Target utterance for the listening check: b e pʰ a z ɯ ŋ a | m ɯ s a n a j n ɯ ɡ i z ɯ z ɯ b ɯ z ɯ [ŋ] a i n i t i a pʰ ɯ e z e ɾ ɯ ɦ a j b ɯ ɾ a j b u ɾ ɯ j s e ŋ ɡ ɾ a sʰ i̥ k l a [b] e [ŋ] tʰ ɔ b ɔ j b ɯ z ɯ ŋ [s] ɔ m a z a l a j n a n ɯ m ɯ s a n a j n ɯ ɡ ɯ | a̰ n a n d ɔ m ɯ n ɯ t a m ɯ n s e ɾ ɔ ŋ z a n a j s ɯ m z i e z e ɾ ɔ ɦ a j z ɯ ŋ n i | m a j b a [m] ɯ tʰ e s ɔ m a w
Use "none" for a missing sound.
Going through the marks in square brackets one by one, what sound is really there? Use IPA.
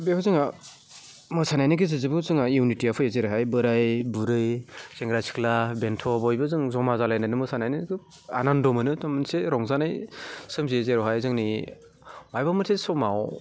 ŋ, b, n, z, m

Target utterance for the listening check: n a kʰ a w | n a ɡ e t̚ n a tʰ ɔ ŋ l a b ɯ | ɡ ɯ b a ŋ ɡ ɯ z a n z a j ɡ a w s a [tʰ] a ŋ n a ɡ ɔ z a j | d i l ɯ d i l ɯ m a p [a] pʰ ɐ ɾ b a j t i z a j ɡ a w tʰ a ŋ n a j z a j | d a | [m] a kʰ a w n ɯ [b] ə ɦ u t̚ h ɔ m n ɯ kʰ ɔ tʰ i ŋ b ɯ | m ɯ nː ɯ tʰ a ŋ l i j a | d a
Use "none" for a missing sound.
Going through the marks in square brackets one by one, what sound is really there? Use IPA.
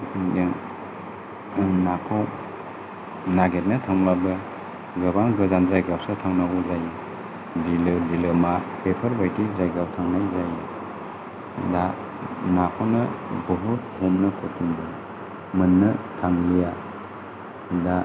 tʰ, e, n, b

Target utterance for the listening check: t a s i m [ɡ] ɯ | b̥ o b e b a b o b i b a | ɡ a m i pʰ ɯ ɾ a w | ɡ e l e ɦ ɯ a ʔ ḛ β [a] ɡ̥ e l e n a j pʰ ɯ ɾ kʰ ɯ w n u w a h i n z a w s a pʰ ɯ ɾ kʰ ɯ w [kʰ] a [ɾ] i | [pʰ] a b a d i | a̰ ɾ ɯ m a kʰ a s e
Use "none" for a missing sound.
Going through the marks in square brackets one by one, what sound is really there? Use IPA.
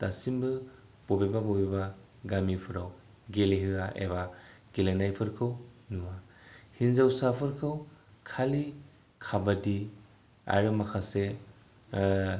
b, a, kʰ, l, kʰ

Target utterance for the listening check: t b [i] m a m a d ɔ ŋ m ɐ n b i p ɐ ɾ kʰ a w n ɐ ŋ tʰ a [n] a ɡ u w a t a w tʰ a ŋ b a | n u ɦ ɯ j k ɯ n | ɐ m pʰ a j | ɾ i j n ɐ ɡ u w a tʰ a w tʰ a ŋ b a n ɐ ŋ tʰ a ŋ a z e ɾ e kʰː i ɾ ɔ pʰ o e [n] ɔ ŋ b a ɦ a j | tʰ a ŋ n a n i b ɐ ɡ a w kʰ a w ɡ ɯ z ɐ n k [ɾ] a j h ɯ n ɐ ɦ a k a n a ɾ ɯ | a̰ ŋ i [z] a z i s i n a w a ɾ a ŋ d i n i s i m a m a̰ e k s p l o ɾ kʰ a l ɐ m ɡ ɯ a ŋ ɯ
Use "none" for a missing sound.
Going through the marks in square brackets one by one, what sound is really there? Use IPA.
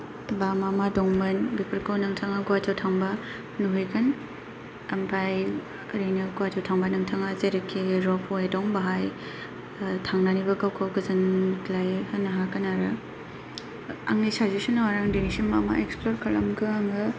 a, ŋ, d, l, s

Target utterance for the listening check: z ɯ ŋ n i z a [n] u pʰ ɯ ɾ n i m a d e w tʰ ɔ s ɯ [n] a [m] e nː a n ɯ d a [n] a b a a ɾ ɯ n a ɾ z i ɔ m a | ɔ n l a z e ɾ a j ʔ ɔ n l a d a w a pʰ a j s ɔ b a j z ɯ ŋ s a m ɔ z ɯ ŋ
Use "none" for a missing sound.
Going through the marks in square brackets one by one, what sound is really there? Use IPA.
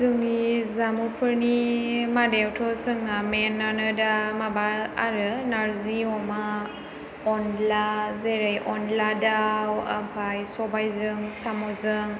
m, ŋ, m, m

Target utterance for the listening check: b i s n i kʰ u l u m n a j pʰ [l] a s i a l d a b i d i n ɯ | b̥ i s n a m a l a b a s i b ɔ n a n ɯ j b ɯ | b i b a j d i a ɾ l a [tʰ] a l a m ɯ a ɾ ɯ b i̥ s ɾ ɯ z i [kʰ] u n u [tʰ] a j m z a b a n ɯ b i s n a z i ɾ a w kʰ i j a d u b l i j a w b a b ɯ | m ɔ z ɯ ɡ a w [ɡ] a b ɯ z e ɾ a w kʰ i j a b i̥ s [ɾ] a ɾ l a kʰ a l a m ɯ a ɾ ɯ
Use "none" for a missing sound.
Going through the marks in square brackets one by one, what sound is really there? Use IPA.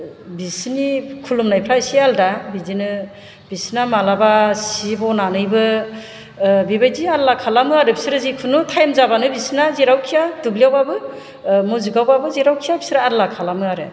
ɾ, kʰ, kʰ, tʰ, b, ɾ

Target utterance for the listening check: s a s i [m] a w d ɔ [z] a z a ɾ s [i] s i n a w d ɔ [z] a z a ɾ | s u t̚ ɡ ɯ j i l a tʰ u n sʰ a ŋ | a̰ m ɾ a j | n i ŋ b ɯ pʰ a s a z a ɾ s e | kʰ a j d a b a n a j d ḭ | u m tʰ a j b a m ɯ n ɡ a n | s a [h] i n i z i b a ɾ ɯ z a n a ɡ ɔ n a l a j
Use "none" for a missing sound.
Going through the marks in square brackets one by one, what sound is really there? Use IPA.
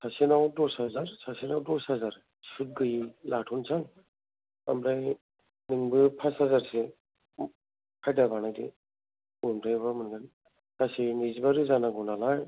n, s, a, s, s

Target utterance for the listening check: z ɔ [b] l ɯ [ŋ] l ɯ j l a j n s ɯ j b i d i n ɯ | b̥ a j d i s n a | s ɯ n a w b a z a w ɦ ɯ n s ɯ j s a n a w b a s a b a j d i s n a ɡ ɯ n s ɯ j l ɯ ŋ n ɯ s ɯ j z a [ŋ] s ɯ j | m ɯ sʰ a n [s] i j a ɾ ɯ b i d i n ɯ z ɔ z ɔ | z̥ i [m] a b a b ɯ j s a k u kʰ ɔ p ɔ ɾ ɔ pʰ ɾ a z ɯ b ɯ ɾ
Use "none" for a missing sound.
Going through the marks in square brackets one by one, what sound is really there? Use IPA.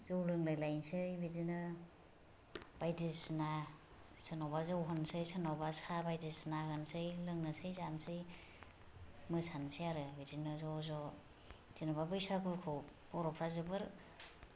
w, ŋ, n, s, n

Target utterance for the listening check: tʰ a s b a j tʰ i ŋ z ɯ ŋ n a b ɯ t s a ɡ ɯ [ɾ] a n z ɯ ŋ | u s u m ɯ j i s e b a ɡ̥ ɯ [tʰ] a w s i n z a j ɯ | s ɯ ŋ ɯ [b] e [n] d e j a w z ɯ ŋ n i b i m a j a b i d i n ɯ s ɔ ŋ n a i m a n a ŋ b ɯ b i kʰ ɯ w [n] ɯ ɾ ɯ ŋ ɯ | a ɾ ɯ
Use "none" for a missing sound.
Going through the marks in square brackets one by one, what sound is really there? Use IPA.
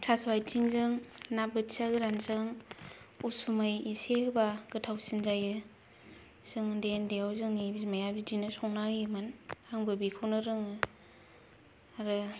ɾ, tʰ, d, n, n

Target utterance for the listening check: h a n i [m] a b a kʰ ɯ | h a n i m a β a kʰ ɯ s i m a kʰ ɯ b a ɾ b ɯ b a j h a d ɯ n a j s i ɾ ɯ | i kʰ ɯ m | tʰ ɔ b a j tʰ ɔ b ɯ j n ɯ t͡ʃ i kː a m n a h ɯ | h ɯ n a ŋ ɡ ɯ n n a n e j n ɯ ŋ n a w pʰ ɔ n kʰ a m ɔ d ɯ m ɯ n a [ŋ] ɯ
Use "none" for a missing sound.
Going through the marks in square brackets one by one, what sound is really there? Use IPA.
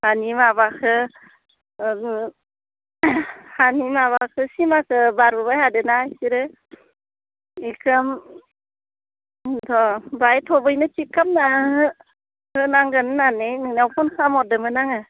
m, ŋ

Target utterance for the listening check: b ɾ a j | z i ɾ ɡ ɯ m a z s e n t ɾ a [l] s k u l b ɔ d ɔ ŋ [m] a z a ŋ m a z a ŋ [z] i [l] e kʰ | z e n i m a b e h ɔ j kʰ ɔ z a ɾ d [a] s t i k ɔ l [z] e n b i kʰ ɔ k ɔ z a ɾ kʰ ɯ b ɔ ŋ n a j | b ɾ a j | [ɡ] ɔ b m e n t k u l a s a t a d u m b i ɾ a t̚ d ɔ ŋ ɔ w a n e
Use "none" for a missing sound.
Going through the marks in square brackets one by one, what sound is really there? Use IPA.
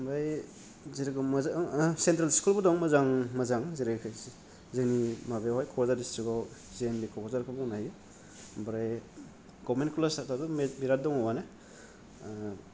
l, m, z, ɾ, i, z, ɡ

